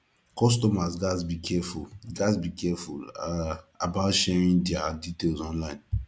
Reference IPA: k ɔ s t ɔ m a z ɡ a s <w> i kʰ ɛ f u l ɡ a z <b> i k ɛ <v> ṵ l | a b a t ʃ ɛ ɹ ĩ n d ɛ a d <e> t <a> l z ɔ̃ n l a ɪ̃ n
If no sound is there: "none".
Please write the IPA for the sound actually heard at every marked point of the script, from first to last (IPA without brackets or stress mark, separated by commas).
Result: b, b, f, i, e